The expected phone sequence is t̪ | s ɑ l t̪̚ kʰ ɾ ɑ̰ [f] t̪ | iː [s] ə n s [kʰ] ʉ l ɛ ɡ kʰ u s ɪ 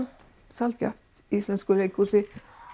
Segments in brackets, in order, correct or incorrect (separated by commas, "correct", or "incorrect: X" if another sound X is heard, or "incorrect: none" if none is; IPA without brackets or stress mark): correct, correct, incorrect: k